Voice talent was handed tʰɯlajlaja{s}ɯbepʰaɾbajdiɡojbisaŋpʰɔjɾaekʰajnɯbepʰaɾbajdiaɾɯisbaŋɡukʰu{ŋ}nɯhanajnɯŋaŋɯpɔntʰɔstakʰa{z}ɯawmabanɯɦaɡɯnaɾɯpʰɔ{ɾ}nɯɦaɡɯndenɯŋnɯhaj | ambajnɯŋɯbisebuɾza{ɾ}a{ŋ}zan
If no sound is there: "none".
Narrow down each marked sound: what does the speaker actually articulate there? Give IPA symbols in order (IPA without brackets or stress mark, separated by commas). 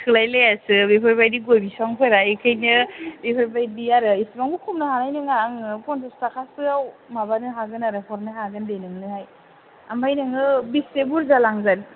s, m, s, ɾ, l, ŋ